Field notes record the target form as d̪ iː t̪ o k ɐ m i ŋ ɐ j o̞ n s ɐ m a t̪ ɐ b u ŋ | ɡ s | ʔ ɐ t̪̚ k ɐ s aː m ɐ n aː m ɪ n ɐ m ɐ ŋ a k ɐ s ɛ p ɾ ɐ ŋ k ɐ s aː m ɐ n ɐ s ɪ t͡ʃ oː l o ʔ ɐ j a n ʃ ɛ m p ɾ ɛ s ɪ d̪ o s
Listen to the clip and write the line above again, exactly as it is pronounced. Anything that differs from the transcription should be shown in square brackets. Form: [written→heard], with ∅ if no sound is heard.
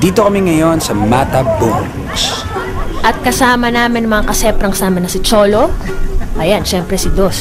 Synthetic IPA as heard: d̪ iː t̪ o k ɐ m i ŋ ɐ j o̞ n s ɐ m a t̪ ɐ b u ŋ | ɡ s | ʔ ɐ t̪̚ k ɐ s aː m ɐ n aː m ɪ n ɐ m ɐ ŋ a k ɐ s ɛ p ɾ ɐ ŋ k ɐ s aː m ɐ n ɐ s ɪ t͡ʃ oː l o ʔ ɐ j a n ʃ ɛ m p ɾ ɛ s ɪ d̪ o s